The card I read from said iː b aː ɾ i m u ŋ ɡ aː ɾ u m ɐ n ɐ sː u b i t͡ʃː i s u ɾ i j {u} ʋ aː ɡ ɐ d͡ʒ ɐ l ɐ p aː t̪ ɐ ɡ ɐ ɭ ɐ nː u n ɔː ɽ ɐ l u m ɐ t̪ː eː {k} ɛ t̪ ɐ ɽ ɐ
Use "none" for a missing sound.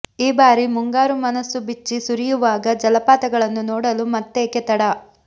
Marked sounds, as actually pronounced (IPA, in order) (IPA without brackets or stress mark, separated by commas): u, k